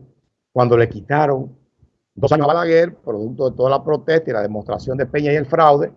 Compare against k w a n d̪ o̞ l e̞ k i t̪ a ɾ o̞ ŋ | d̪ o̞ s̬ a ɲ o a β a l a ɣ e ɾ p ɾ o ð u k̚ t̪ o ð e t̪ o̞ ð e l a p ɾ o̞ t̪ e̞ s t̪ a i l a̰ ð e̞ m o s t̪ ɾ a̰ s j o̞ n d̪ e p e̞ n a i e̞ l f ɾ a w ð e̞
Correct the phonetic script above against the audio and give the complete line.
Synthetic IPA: k w a n d̪ o̞ l e̞ k i t̪ a ɾ o̞ ŋ | d̪ o̞ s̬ a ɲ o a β a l a ɣ e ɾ p ɾ o ð u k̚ t̪ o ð e t̪ o̞ ð a l a p ɾ o̞ t̪ e̞ s t̪ a i l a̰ ð e̞ m o s t̪ ɾ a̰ s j o̞ n d̪ e p e̞ ɲ a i e̞ l f ɾ a w ð e̞